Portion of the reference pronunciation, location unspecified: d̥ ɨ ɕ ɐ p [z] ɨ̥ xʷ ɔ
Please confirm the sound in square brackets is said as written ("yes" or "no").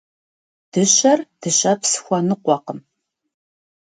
no